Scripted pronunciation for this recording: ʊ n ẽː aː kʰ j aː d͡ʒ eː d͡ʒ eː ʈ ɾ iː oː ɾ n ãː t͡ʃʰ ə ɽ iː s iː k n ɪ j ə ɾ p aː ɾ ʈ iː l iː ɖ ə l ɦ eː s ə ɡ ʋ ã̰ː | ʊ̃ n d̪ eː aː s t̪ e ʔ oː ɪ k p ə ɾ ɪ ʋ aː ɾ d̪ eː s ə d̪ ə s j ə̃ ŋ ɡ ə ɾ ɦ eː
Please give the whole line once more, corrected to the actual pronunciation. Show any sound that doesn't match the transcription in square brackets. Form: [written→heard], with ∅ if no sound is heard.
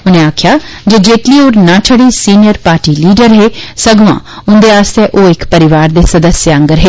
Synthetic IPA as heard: ʊ n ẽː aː kʰ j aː d͡ʒ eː d͡ʒ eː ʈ [ɾ→l] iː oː ɾ n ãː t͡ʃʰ ə ɽ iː s iː [k→∅] n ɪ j ə ɾ p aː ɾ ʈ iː l iː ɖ ə [l→ɾ] ɦ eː s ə ɡ ʋ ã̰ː | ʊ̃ n d̪ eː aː s t̪ e ʔ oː ɪ k p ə ɾ ɪ ʋ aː ɾ d̪ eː s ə d̪ ə s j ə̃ ŋ ɡ ə ɾ ɦ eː